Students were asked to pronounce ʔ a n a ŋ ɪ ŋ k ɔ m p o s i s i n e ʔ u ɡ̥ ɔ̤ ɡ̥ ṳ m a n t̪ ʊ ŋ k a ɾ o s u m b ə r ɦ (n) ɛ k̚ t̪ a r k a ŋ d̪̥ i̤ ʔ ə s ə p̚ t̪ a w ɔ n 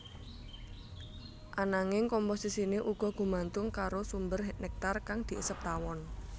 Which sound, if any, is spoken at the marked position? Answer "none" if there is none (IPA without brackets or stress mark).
n